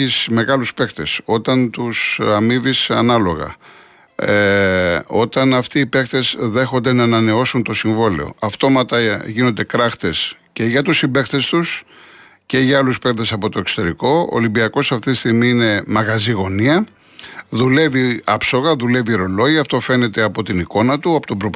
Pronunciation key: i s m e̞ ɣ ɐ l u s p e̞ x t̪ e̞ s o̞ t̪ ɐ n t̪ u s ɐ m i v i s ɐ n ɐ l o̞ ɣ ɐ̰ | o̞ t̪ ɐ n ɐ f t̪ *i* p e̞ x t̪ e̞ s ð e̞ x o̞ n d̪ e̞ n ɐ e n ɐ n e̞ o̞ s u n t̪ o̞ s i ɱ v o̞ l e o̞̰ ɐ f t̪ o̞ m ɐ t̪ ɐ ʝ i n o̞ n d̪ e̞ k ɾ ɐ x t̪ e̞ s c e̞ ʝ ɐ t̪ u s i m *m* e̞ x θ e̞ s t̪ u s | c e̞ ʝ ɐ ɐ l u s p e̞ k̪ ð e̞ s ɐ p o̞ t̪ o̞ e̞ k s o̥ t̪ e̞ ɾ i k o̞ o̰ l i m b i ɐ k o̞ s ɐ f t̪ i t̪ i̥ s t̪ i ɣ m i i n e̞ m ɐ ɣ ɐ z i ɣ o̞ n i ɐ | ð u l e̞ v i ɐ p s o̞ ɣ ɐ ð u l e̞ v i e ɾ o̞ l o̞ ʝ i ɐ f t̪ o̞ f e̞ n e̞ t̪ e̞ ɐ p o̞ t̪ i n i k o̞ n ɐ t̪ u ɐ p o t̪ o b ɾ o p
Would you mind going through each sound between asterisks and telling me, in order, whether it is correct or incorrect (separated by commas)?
incorrect, incorrect